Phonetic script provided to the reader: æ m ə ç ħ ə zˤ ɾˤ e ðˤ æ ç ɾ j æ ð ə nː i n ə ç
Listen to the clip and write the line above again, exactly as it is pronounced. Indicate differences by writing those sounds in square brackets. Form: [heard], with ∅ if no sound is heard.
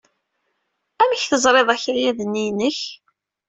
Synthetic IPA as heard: æ m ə ç [θ] ə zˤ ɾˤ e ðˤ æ ç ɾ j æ ð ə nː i n ə ç